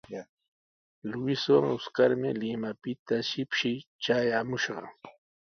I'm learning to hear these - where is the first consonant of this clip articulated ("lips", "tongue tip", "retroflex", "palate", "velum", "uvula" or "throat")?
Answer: tongue tip